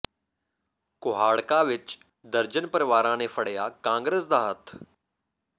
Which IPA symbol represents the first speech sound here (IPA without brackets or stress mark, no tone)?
k